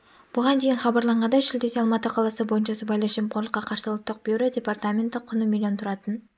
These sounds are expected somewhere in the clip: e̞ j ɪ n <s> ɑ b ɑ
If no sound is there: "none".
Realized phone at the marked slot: χ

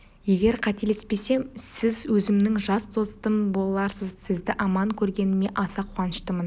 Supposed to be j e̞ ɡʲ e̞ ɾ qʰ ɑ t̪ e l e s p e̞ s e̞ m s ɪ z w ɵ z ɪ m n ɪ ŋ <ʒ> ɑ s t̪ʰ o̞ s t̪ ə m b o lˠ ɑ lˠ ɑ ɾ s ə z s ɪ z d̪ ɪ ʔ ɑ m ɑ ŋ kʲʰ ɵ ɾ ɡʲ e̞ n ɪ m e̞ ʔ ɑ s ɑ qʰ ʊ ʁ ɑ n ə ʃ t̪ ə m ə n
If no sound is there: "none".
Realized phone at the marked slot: ʒ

